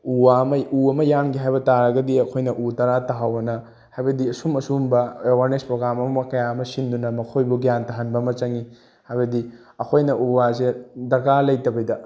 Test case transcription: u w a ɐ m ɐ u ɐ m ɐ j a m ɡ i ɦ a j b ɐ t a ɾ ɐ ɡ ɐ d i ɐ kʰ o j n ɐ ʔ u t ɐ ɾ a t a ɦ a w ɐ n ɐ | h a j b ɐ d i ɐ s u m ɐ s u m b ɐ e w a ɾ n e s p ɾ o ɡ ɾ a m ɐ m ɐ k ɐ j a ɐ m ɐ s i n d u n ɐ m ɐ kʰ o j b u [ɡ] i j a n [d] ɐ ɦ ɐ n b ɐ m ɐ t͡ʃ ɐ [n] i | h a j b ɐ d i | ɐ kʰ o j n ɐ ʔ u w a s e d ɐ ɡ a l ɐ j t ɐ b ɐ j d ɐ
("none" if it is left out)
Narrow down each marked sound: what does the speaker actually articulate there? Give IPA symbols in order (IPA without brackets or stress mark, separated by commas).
ɡ, t, ŋ